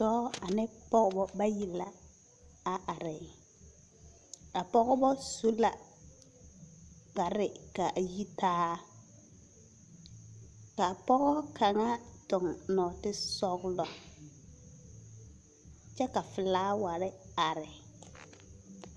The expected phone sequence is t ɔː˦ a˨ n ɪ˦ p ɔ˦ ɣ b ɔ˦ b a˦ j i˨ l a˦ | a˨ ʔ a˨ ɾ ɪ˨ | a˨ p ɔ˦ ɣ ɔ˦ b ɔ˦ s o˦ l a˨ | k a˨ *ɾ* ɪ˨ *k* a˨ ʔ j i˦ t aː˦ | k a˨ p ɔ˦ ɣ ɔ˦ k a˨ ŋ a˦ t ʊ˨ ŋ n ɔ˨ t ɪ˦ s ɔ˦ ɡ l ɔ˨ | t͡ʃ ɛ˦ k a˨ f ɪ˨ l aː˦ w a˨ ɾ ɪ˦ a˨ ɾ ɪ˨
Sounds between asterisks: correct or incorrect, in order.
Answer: correct, correct

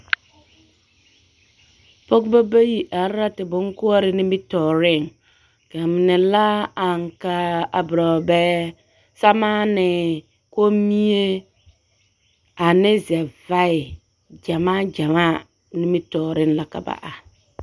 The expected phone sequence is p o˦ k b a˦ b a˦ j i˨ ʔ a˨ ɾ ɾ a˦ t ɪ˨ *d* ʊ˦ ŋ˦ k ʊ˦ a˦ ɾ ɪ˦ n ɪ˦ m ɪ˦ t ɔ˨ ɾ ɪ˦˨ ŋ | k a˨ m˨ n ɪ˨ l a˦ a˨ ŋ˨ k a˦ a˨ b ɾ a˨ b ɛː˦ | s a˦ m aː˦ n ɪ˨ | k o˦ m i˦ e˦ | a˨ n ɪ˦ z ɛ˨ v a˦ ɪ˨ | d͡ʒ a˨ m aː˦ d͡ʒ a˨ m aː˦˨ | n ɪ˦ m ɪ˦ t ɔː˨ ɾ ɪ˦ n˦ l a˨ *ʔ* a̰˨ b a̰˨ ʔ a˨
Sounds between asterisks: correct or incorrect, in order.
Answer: incorrect, incorrect

